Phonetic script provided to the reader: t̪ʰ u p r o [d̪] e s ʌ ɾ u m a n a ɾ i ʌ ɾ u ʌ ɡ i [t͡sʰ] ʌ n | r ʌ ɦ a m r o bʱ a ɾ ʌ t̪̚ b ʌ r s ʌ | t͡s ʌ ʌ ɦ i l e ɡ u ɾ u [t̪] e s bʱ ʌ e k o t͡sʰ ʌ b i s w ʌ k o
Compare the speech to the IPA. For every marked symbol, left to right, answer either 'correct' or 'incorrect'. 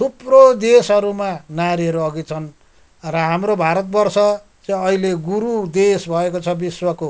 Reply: correct, correct, incorrect

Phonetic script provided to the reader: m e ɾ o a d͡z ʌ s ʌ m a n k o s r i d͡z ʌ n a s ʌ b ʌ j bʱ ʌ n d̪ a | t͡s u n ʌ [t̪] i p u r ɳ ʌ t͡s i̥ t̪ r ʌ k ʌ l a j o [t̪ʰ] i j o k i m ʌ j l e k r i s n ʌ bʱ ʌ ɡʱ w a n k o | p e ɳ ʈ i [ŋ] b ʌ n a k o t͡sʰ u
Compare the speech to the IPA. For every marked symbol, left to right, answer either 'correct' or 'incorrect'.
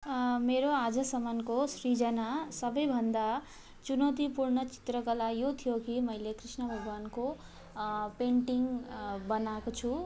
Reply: correct, correct, correct

